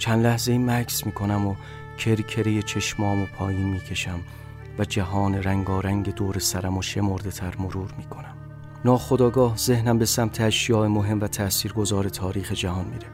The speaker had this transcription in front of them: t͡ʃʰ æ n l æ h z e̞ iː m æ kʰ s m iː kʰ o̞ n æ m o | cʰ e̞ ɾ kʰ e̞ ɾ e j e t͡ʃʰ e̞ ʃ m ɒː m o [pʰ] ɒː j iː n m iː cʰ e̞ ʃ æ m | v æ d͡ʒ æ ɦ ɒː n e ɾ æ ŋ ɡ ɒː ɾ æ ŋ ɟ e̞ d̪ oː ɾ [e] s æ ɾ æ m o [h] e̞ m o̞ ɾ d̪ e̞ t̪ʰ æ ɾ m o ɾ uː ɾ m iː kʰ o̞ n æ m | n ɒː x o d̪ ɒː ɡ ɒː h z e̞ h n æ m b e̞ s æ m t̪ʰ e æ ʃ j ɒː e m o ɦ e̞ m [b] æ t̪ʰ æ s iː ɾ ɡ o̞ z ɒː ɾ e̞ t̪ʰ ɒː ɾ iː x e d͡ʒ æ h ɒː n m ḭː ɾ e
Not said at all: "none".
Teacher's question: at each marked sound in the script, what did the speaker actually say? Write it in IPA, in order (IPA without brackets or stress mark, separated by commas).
pʰ, e, ʃ, v